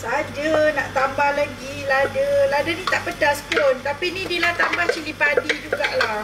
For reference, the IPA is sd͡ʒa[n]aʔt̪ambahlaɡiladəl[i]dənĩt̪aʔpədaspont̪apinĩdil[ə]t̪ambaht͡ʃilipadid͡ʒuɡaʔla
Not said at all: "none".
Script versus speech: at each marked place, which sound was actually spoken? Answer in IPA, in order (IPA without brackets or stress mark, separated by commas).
n, a, a